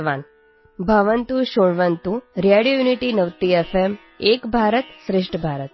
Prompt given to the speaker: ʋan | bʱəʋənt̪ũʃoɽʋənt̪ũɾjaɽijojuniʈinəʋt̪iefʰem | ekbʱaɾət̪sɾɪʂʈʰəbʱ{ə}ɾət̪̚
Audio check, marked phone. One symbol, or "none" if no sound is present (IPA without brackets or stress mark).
a